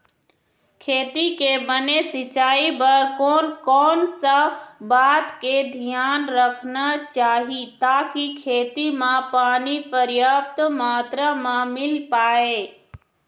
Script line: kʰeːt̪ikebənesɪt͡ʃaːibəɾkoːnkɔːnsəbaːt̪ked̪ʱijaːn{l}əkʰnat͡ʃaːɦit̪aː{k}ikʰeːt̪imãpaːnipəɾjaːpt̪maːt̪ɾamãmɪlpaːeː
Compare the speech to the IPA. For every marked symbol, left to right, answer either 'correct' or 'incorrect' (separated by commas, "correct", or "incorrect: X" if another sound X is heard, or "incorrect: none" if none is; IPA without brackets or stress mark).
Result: incorrect: ɾ, correct